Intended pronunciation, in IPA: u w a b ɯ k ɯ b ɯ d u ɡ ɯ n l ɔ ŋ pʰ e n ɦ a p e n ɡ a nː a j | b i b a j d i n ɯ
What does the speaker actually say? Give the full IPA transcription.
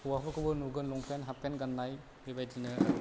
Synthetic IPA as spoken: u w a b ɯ k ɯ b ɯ n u ɡ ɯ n l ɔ ŋ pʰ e n ɦ a p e n ɡ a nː a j | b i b a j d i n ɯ